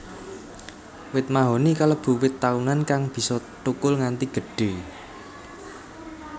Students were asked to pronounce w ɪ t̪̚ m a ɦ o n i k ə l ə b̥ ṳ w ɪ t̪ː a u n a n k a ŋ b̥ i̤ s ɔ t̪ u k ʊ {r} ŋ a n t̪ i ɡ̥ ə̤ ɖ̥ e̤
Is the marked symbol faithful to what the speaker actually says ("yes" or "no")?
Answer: no